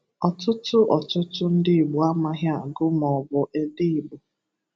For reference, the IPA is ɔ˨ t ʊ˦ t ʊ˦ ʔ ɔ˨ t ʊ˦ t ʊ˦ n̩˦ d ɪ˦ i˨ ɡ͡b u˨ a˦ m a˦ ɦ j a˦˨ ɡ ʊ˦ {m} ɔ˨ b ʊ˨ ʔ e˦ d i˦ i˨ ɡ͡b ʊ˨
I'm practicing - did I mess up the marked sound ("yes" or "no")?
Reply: no